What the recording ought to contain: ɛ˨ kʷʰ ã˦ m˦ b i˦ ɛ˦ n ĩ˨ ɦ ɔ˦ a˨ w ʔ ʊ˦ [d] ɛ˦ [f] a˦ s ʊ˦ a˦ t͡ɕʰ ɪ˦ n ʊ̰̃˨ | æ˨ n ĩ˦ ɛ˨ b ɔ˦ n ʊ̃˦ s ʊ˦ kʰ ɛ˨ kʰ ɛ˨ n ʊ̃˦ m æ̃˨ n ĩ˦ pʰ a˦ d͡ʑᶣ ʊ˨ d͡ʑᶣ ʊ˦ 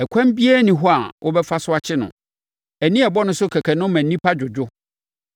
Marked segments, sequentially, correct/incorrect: incorrect: b, correct

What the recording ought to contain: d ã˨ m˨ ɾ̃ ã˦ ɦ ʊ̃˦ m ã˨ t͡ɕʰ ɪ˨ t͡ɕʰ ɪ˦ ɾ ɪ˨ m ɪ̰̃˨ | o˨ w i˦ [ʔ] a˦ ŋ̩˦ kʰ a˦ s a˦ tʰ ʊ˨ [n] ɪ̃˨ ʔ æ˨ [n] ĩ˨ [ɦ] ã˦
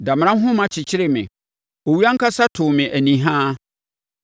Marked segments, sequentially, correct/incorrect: incorrect: none, incorrect: m, correct, correct

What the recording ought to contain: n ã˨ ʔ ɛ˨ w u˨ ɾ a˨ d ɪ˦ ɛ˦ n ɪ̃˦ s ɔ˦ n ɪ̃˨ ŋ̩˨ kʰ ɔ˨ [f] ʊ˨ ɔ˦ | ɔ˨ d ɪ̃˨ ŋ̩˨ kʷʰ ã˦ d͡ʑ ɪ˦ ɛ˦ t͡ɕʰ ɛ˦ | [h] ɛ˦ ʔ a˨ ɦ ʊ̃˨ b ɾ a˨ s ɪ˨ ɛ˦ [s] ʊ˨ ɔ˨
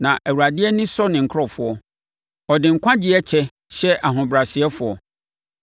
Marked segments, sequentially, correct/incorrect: correct, incorrect: ɕ, incorrect: f

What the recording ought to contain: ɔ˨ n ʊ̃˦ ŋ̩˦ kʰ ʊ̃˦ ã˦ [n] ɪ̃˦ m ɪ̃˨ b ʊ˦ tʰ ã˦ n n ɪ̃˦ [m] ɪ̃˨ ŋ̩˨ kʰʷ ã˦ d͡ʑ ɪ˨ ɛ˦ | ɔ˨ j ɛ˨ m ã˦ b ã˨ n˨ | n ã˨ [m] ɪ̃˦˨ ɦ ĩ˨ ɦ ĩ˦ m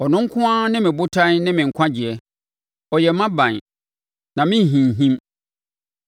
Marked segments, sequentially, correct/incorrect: correct, correct, correct

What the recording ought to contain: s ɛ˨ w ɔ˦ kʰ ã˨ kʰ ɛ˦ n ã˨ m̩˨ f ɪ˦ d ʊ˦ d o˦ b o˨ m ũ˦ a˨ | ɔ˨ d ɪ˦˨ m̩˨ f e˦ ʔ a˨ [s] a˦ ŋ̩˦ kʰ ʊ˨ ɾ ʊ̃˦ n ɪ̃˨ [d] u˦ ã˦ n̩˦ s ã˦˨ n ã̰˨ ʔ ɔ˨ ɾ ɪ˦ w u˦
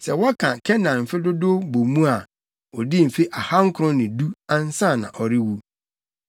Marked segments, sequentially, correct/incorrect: incorrect: h, correct

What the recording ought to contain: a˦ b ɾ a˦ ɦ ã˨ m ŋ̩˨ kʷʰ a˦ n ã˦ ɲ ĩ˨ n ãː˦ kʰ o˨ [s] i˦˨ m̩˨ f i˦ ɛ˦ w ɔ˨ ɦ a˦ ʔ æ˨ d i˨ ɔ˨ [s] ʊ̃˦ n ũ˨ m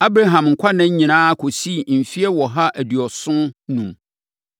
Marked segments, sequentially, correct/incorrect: correct, correct

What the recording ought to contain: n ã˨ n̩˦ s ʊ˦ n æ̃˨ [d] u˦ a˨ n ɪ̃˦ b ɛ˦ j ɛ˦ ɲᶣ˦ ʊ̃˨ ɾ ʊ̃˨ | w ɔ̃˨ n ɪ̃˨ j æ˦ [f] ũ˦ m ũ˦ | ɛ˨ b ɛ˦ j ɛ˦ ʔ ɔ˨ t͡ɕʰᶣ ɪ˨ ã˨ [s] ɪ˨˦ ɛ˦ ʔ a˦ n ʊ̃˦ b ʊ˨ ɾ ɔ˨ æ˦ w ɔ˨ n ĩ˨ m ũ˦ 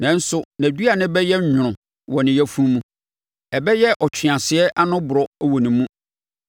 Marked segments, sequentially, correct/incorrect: correct, correct, correct

